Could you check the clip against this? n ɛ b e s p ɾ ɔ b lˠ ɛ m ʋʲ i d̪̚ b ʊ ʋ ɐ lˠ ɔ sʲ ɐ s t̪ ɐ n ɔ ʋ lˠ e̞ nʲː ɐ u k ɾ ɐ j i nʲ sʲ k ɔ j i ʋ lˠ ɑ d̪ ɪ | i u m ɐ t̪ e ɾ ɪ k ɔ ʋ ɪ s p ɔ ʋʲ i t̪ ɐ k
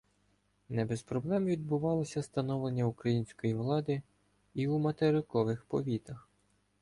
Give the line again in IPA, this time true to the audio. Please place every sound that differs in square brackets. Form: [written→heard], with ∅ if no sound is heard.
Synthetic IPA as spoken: n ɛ b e s p ɾ ɔ b lˠ ɛ m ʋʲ i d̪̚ b ʊ ʋ [ɐ→ɑ] lˠ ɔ sʲ ɐ s t̪ ɐ n ɔ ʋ lˠ e̞ nʲː ɐ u k ɾ ɐ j i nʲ sʲ k ɔ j i ʋ lˠ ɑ d̪ ɪ | i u m ɐ t̪ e ɾ ɪ k ɔ ʋ ɪ [s→x] p ɔ ʋʲ i t̪ ɐ [k→x]